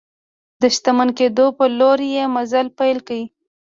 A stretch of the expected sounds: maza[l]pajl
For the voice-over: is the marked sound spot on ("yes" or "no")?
yes